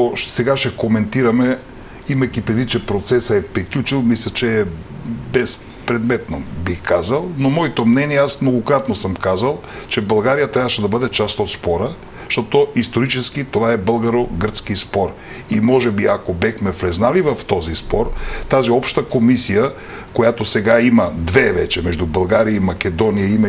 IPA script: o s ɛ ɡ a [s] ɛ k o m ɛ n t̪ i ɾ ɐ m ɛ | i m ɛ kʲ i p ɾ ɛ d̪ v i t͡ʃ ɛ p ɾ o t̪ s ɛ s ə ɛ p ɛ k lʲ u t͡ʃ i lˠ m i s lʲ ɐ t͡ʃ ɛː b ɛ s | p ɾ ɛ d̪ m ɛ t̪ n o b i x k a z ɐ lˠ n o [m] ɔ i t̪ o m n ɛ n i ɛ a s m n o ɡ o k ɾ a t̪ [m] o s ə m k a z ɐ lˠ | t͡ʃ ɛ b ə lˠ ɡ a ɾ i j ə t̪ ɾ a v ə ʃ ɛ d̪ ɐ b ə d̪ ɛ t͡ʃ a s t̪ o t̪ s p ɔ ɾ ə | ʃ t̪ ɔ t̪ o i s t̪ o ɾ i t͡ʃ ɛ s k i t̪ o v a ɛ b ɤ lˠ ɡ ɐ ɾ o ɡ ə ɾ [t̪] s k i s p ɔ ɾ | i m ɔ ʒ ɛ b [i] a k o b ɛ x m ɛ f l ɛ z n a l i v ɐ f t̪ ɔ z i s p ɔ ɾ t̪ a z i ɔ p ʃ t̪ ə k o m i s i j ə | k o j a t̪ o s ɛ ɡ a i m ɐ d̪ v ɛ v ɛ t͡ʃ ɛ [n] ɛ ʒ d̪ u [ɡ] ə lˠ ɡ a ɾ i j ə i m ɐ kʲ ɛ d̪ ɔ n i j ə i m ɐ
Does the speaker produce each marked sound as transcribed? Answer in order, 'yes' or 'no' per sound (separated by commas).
no, yes, no, yes, yes, no, no